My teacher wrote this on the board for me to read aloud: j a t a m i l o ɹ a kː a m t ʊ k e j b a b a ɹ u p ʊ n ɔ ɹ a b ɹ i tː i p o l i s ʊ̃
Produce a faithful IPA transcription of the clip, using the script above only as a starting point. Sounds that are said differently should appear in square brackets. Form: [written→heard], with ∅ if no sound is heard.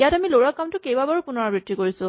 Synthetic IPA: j a t a m i l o ɹ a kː a m t ʊ k e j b a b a ɹ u p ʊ n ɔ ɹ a b ɹ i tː i [p→k] o [l→ɹ] i s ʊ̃